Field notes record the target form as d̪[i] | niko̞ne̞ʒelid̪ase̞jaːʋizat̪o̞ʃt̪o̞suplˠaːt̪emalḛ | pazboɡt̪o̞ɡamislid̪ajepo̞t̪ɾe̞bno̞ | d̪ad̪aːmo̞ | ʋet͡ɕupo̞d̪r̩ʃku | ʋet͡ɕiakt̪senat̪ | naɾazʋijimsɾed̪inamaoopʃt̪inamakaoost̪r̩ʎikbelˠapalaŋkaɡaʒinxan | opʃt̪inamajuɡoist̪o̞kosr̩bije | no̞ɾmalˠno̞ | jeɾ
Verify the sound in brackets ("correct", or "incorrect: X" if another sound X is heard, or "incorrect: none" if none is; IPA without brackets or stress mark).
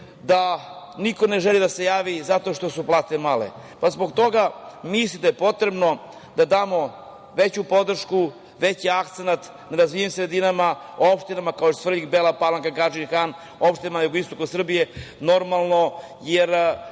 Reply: incorrect: a